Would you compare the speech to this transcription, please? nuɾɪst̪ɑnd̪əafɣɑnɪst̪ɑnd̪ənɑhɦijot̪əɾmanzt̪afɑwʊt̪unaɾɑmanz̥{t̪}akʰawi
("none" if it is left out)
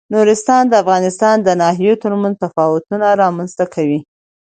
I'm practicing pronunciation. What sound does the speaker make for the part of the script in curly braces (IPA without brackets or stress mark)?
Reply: t̪